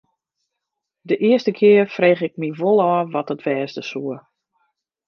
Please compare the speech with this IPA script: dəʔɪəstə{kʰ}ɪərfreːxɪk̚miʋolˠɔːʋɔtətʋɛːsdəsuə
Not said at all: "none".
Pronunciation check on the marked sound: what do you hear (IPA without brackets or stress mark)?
kʰ